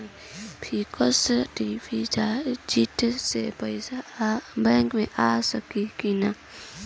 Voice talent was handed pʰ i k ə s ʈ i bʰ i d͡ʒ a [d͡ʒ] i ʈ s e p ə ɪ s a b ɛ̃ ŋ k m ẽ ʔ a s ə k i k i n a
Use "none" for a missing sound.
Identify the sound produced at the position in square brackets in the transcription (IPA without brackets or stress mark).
d͡ʒ